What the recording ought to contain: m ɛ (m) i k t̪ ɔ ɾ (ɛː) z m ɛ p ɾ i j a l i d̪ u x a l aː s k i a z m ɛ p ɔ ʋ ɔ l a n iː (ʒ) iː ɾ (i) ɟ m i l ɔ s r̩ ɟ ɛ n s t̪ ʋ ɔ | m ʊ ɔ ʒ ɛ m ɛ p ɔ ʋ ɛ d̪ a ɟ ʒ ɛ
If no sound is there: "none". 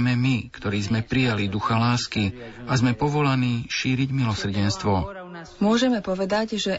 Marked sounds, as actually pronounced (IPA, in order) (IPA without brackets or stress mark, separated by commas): m, iː, ʃ, i